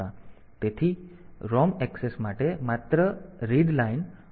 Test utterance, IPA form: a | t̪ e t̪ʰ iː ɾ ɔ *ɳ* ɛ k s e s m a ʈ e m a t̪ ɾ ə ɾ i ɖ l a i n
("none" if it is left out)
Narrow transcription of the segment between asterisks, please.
m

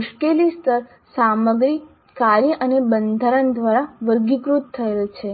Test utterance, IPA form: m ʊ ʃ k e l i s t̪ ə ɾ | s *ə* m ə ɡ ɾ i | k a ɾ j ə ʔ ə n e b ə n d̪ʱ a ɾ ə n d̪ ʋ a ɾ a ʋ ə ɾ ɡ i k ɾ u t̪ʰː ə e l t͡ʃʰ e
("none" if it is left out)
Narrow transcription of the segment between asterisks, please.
a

